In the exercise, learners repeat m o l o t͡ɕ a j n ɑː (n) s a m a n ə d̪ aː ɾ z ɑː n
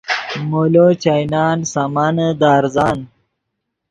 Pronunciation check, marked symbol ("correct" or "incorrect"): correct